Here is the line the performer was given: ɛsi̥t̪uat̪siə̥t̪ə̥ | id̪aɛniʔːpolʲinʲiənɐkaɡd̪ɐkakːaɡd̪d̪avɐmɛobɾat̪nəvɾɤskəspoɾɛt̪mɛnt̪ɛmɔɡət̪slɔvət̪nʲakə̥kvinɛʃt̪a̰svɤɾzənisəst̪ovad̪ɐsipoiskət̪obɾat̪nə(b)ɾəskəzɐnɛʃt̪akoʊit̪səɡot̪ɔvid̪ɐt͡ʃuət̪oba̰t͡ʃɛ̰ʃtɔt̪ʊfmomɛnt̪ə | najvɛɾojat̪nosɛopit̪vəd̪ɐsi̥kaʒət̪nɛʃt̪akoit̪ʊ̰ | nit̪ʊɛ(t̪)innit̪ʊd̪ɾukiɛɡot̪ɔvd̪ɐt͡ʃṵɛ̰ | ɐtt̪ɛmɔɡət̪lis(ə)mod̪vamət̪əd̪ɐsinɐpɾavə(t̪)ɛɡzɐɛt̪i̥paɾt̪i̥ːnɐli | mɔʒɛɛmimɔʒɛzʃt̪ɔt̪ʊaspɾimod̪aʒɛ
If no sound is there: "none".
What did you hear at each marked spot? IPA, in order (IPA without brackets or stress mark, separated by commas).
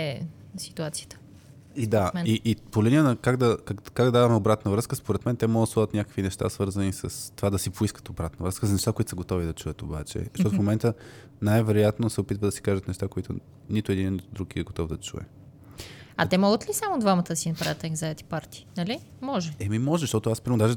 v, d̪, a, t̪